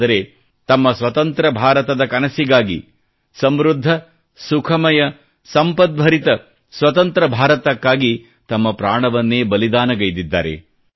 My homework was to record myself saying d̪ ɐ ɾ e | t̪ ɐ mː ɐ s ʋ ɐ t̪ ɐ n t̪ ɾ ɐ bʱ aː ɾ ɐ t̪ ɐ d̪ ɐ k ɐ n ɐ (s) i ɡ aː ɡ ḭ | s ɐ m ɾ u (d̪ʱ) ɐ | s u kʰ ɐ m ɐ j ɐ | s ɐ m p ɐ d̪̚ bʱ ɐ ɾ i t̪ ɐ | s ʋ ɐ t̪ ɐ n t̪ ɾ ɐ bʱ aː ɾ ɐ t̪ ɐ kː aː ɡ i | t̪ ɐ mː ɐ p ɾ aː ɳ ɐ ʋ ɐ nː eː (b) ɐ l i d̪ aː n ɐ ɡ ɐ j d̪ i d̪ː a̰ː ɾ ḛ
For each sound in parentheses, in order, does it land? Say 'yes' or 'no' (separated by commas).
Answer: yes, no, yes